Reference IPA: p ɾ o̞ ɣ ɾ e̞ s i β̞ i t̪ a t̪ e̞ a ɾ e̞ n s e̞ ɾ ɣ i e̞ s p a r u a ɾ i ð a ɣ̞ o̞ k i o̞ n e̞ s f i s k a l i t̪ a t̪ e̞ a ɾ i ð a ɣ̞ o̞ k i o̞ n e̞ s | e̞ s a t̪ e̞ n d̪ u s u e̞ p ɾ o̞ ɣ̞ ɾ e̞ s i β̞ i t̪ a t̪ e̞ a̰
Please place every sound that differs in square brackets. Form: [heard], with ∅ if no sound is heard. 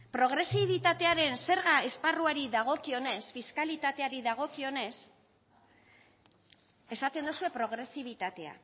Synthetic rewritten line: p ɾ o̞ ɣ ɾ e̞ s i β̞ i t̪ a t̪ e̞ a ɾ e̞ n s e̞ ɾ ɣ [a] e̞ s p a r u a ɾ i ð a ɣ̞ o̞ k i o̞ n e̞ s f i s k a l i t̪ a t̪ e̞ a ɾ i ð a ɣ̞ o̞ k i o̞ n e̞ s | e̞ s a t̪ e̞ n d̪ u s u e̞ p ɾ o̞ ɣ̞ ɾ e̞ s i β̞ i t̪ a t̪ e̞ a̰